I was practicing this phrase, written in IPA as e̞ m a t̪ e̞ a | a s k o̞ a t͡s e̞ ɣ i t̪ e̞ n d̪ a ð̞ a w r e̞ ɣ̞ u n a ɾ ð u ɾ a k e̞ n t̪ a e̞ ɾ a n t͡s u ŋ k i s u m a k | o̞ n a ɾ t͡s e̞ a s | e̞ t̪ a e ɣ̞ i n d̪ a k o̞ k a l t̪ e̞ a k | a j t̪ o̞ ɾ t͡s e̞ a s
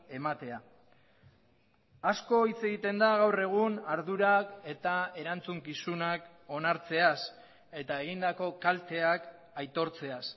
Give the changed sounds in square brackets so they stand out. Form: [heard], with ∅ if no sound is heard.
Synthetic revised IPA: e̞ m a t̪ e̞ a | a s k o̞ [i] t͡s e̞ ɣ i t̪ e̞ n d̪ a [ɣ̞] a w r e̞ ɣ̞ u n a ɾ ð u ɾ a k e̞ [∅] t̪ a e̞ ɾ a n t͡s u ŋ k i s u [n] a k | o̞ n a ɾ t͡s e̞ a s | e̞ t̪ a e ɣ̞ i n d̪ a k o̞ k a l t̪ e̞ a k | a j t̪ o̞ ɾ t͡s e̞ a s